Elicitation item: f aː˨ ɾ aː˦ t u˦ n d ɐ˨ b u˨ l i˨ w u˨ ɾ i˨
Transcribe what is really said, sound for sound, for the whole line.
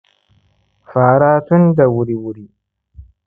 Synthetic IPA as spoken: f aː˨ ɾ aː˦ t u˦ n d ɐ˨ w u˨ ɾ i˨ w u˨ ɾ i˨